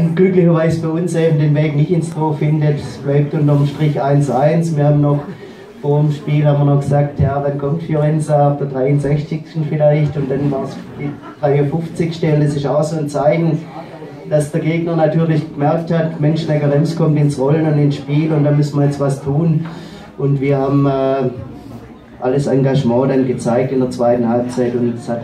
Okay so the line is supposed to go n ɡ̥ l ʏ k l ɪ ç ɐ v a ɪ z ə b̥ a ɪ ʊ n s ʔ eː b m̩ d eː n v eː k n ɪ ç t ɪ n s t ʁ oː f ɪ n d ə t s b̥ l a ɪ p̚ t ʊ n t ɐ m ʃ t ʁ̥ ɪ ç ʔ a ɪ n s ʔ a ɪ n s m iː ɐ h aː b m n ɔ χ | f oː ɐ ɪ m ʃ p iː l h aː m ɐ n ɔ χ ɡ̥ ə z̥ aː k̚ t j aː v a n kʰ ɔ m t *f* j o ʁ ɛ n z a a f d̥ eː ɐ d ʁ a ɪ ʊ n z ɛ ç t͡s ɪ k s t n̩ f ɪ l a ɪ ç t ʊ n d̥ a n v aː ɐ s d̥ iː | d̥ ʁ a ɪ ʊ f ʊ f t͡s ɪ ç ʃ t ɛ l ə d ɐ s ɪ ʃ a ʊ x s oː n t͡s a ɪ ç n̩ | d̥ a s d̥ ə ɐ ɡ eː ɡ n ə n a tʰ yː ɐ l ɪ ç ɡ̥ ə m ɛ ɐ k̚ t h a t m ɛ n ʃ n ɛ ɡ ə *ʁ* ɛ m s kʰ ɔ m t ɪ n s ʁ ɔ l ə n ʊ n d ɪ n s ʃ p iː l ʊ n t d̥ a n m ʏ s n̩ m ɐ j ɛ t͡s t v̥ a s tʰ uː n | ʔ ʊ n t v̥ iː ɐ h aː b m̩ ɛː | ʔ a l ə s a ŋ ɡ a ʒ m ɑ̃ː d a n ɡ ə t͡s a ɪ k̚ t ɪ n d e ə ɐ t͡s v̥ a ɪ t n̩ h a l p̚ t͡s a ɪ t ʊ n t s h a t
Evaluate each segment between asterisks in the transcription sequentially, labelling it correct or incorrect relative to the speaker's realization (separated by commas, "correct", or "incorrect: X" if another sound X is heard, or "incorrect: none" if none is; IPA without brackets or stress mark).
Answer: correct, correct